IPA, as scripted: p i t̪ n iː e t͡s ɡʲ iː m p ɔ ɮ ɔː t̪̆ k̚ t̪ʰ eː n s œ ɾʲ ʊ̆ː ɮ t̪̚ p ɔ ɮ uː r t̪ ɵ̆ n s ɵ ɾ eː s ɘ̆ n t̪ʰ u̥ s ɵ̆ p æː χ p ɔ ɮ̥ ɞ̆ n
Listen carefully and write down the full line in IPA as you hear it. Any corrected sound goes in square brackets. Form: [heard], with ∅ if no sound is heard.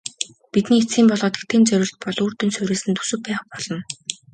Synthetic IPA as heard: p i t̪ n iː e t͡s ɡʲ iː m p ɔ ɮ ɔː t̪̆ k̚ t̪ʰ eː n [t͡s] œ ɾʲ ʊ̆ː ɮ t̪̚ p ɔ ɮ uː r t̪ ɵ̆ n s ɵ ɾ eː s ɘ̆ n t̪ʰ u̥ s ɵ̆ p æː χ p ɔ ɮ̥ ɞ̆ n